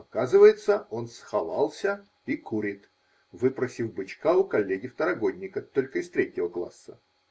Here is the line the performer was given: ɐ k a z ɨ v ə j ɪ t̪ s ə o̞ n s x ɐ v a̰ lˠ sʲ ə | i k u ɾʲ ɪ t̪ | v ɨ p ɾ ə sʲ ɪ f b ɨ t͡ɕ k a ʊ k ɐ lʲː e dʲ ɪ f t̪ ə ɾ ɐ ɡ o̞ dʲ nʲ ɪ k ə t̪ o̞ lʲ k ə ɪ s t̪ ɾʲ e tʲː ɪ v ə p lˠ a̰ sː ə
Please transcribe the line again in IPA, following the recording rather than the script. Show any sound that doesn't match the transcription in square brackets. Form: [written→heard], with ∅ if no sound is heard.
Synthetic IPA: ɐ k a z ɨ v ə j ɪ t̪ s ə o̞ n s x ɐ v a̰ lˠ sʲ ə | i k u ɾʲ ɪ t̪ | v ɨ p ɾ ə sʲ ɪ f b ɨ t͡ɕ k a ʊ k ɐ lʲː e [dʲ→ɡʲ] ɪ f t̪ ə ɾ ɐ ɡ o̞ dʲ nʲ ɪ k ə t̪ o̞ lʲ k ə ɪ s t̪ ɾʲ e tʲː ɪ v ə [p→k] lˠ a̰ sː ə